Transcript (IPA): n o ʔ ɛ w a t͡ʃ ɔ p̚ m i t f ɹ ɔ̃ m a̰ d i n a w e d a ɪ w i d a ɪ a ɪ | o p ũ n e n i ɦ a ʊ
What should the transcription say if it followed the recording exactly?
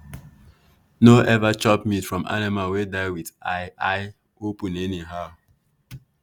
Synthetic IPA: n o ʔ ɛ v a t͡ʃ ɔ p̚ m i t f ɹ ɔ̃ m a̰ n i m a w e d a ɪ w i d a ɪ a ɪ | o p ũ n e n i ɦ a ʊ